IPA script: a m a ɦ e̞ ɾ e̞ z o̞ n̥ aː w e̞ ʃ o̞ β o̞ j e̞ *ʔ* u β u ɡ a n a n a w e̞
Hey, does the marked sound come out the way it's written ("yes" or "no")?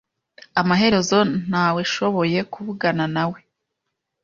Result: no